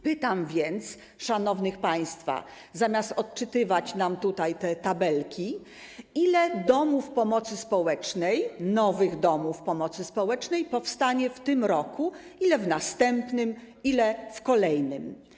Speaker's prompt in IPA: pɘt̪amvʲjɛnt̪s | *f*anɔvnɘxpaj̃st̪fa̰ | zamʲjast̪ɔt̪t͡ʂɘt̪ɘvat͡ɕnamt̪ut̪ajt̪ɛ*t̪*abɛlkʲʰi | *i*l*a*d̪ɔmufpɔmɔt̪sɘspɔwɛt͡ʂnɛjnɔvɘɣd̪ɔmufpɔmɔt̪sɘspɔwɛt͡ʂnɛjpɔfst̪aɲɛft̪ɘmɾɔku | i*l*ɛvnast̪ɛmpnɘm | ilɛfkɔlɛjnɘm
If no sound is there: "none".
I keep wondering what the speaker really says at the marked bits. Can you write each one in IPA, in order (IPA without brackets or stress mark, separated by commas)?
ʂ, t̪, i, ɛ, l